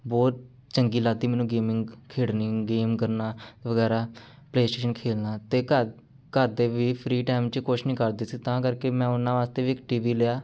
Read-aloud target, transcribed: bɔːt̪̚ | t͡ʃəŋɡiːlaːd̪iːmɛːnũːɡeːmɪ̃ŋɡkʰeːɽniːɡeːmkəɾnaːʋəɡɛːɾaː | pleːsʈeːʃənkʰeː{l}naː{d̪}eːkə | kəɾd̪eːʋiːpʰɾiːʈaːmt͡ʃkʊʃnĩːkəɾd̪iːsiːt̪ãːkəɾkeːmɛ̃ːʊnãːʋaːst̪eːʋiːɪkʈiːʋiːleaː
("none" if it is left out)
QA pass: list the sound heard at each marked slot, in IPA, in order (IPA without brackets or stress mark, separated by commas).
l, t̪